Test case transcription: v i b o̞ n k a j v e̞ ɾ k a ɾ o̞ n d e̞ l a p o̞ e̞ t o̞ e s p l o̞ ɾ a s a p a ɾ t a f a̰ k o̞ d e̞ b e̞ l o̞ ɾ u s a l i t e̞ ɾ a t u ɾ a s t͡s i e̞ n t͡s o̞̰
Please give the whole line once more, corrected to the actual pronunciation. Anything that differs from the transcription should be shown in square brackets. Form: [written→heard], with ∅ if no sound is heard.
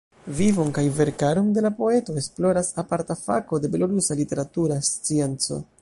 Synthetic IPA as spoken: v i [b→v] o̞ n k a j v e̞ ɾ k a ɾ o̞ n d e̞ l a p o̞ e̞ t o̞ e s p l o̞ ɾ a s a p a ɾ t a f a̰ k o̞ d e̞ b e̞ l o̞ ɾ u s a l i t e̞ ɾ a t u ɾ a s t͡s i e̞ n t͡s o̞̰

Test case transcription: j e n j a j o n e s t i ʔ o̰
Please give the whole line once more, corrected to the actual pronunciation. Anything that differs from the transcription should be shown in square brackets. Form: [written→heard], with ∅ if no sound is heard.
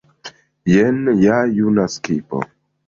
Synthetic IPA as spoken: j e n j a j [o→u] n [e→a] s [t→k] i [ʔ→p] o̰

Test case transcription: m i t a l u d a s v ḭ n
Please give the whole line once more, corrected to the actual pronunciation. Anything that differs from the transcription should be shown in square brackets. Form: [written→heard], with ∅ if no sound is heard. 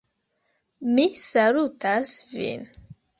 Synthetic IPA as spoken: m i [t→s] a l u [d→t] a s v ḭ n

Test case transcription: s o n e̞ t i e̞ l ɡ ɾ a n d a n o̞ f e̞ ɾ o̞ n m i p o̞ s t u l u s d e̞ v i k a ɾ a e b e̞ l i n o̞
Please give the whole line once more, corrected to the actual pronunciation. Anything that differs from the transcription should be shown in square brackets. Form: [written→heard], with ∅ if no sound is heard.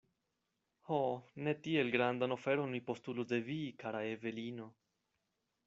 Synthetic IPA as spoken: [s→h] o n e̞ t i e̞ l ɡ ɾ a n d a n o̞ f e̞ ɾ o̞ n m i p o̞ s t u l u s d e̞ v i k a ɾ a e [b→v] e̞ l i n o̞

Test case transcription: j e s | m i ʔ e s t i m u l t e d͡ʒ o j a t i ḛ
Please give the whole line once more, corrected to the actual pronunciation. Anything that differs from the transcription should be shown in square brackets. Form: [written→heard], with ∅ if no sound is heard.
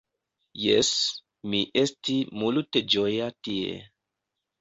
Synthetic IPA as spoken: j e s | m i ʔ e s t i m u l t e d͡ʒ o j a t i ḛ

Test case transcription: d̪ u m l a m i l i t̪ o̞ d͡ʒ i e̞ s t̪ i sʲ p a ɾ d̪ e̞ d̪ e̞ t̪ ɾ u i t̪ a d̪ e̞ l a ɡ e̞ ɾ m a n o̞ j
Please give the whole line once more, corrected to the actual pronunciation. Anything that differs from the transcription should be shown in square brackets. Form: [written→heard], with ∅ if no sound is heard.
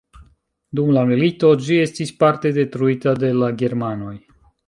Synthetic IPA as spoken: d̪ u m l a m i l i t̪ o̞ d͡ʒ i e̞ s t̪ i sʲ p a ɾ [d̪→t̪] e̞ d̪ e̞ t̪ ɾ u i t̪ a d̪ e̞ l a ɡ e̞ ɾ m a n o̞ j

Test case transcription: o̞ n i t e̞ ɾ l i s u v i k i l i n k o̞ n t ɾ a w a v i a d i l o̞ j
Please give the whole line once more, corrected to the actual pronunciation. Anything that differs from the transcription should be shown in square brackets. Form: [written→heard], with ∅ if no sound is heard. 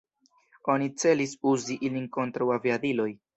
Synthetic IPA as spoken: o̞ n i [t→t͡s] e̞ [ɾ→∅] l i s u [v→z] i [k→ʔ] i l i n k o̞ n t ɾ a w a v i a d i l o̞ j

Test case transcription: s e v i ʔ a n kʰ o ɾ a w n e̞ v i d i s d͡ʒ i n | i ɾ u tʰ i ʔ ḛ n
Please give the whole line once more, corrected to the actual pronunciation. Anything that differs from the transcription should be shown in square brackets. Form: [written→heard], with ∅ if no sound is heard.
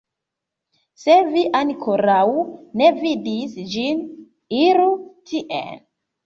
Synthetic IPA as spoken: s e v i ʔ a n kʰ o ɾ a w n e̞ v i d i s d͡ʒ i n | i ɾ u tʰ i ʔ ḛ n

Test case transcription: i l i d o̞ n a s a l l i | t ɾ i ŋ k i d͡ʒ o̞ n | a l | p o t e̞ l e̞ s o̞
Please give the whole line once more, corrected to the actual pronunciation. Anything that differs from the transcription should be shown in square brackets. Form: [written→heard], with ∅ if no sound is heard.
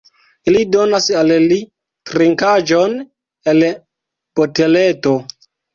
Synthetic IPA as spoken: i l i d o̞ n a s a l l i | t ɾ i ŋ k [i→a] d͡ʒ o̞ n | [a→e] l | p o t e̞ l e̞ [s→t] o̞

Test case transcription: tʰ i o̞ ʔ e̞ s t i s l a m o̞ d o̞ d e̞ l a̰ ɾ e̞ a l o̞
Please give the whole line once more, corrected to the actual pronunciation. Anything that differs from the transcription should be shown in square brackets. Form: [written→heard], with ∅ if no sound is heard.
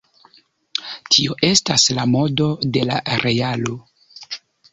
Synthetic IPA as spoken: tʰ i o̞ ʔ e̞ s t [i→a] s l a m o̞ d o̞ d e̞ l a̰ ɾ e̞ a l o̞

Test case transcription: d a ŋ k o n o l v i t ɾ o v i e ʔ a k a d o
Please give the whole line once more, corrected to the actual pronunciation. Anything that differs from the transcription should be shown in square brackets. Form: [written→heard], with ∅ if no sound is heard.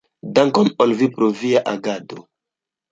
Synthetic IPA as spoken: d a ŋ k o n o l v i [t→p] ɾ o v i [e→a] ʔ a [k→ɡ] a d o

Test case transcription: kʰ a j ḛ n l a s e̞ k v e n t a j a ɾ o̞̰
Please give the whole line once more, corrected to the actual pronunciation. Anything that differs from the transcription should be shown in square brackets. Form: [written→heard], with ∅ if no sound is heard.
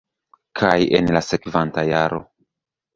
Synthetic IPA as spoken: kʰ a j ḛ n l a s e̞ k v [e→a] n t a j a ɾ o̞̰

